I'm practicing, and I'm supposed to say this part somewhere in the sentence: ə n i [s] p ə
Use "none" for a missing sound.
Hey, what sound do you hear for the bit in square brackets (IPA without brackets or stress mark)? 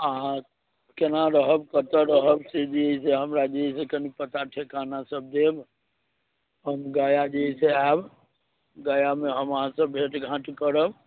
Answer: none